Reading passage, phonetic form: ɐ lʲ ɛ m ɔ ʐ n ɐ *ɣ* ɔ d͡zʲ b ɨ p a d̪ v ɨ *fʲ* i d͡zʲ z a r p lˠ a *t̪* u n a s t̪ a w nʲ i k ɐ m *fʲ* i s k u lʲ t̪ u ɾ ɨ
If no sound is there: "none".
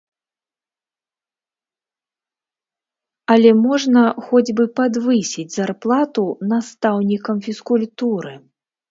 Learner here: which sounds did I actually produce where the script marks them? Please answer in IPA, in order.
x, sʲ, t̪, fʲ

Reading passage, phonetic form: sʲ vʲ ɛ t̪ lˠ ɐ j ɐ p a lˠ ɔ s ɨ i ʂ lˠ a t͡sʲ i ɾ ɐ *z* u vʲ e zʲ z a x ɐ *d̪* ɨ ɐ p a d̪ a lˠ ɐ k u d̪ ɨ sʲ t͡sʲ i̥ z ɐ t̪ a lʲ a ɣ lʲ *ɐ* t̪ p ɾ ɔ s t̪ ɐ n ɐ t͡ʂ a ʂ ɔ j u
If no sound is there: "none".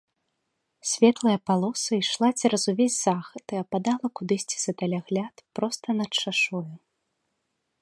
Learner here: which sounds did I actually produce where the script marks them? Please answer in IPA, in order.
z, t̪, a

